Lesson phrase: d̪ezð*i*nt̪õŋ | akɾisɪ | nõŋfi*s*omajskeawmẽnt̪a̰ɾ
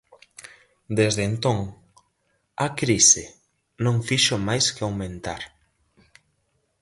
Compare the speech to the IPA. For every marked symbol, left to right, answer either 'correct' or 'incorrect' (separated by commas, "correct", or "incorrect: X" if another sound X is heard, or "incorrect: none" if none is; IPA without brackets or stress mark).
incorrect: e, incorrect: ʃ